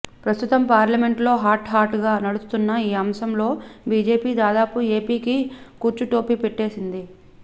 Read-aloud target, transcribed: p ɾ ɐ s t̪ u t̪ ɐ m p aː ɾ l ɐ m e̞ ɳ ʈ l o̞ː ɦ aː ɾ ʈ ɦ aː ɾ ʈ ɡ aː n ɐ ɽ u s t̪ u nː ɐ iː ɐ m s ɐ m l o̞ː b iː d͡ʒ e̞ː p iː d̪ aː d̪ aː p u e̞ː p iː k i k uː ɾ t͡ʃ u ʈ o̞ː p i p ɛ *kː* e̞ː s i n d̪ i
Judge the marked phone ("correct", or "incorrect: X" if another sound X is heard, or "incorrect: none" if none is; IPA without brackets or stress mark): incorrect: ʈː